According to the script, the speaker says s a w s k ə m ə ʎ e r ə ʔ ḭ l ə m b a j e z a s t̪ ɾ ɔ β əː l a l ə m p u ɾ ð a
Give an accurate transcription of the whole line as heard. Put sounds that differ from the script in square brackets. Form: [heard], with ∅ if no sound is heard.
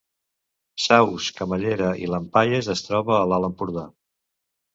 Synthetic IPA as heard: s a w s k ə m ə ʎ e [ɾ] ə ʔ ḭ l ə m [p] a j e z [ə] s t̪ ɾ ɔ β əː l a l ə m p u ɾ ð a